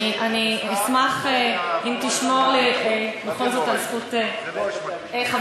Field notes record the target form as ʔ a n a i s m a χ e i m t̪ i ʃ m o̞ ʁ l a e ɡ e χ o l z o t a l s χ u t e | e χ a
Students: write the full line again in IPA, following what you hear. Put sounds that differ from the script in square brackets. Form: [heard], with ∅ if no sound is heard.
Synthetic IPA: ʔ a n [i] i s m a χ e i m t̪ i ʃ m o̞ ʁ l [i] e [b] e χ o l z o t a l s χ u t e | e χ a